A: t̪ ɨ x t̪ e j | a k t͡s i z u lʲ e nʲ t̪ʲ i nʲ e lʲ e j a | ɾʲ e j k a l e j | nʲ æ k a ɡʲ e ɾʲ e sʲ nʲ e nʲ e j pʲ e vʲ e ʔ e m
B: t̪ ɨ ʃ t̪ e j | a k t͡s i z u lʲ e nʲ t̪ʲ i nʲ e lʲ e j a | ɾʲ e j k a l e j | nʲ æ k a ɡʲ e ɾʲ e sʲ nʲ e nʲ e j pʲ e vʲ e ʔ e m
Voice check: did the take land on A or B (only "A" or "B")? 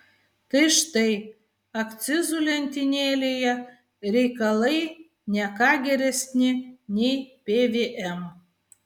B